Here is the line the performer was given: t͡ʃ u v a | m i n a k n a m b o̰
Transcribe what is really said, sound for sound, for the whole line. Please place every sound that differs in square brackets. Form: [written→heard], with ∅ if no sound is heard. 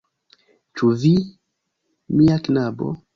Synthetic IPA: t͡ʃ u v [a→i] | m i [n→∅] a k n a [m→∅] b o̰